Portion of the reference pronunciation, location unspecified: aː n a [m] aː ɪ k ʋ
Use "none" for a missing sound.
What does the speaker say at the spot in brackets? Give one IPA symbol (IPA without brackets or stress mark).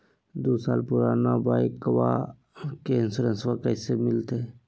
b